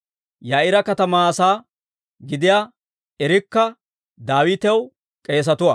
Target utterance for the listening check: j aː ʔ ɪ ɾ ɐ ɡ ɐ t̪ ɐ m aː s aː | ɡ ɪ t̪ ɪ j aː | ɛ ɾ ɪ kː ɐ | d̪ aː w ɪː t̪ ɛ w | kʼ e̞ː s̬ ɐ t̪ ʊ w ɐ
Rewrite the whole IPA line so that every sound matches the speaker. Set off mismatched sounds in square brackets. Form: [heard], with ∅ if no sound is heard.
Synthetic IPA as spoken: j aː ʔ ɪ ɾ ɐ [k] ɐ t̪ ɐ m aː s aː | ɡ ɪ [d̪] ɪ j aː | ɛ ɾ ɪ kː ɐ | d̪ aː w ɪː t̪ ɛ w | kʼ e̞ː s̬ ɐ t̪ ʊ w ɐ